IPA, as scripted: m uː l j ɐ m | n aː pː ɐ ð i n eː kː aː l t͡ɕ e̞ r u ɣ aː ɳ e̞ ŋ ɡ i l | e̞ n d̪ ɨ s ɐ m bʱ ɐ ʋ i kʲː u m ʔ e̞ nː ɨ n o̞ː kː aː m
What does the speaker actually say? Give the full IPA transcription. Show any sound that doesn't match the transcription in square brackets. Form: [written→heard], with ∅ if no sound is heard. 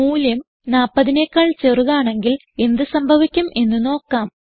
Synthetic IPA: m uː l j ɐ m | n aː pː ɐ ð i n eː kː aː [l→ɭ] t͡ɕ e̞ r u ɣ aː ɳ e̞ ŋ ɡ i l | e̞ n d̪ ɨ s ɐ m bʱ ɐ ʋ i kʲː u m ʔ e̞ nː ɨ n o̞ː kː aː m